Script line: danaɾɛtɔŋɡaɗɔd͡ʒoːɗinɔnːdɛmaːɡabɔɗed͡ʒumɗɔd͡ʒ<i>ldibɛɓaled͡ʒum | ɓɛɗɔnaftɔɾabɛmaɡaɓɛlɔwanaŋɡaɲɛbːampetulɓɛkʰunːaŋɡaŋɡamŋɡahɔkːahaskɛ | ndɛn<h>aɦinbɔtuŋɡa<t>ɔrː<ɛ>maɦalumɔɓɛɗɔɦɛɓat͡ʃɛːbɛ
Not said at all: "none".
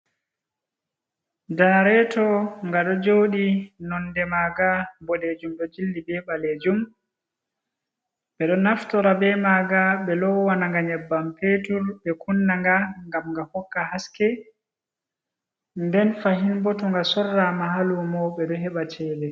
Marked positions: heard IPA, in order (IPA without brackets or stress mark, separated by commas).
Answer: i, f, s, a